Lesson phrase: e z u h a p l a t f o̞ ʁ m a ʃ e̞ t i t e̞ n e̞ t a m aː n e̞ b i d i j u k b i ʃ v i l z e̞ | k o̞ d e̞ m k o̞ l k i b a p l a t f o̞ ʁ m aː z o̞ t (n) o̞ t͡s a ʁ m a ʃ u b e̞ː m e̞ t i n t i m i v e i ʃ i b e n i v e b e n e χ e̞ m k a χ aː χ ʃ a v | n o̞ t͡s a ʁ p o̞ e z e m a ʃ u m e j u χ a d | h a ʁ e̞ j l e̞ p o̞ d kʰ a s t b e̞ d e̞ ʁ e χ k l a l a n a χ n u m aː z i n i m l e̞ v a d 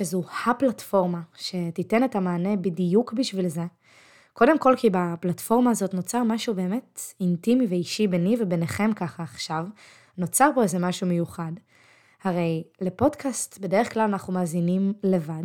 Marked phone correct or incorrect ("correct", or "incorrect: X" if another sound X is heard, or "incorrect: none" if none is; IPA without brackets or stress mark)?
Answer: correct